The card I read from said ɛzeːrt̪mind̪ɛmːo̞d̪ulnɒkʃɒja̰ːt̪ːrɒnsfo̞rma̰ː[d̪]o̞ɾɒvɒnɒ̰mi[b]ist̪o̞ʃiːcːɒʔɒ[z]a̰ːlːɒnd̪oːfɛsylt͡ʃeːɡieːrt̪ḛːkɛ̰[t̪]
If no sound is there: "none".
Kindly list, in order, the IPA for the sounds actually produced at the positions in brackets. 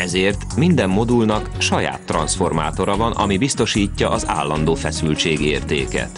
t̪, b, z, t̪

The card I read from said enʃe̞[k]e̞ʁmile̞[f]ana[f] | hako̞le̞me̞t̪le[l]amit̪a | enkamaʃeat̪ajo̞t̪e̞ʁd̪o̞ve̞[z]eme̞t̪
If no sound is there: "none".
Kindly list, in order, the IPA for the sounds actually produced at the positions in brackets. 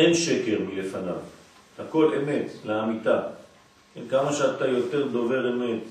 k, f, v, none, ʁ

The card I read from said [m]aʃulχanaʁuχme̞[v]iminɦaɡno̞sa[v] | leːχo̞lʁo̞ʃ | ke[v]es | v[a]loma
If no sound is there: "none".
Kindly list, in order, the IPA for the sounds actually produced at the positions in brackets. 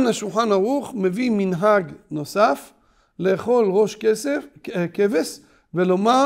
n, v, f, v, e

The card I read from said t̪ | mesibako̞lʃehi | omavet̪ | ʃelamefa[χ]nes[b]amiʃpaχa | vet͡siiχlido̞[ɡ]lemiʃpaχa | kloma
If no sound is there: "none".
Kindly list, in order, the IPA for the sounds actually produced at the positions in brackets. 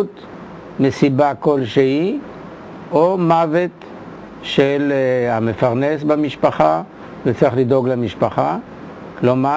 ʁ, b, ɡ

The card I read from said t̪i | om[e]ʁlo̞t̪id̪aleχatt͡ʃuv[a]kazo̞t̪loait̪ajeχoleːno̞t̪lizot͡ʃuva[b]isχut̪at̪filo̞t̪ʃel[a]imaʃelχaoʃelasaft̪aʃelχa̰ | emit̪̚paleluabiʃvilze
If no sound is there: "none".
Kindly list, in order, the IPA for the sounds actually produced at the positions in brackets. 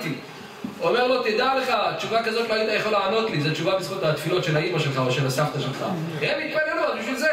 e, a, b, a

